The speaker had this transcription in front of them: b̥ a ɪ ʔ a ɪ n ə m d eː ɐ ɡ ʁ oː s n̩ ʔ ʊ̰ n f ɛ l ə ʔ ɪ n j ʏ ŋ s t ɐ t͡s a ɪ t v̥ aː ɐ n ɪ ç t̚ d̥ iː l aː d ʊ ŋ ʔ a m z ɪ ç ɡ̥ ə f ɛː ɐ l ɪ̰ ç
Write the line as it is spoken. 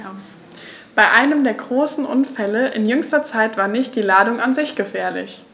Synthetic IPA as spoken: b̥ a ɪ ʔ a ɪ n ə m d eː ɐ ɡ ʁ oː s n̩ ʔ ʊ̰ n f ɛ l ə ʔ ɪ n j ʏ ŋ s t ɐ t͡s a ɪ t v̥ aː ɐ n ɪ ç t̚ d̥ iː l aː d ʊ ŋ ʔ a n z ɪ ç ɡ̥ ə f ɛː ɐ l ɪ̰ ç